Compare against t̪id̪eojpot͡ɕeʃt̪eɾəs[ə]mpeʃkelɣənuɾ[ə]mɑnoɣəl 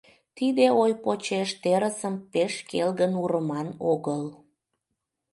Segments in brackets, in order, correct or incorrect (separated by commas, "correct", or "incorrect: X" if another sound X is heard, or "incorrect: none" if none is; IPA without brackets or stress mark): correct, correct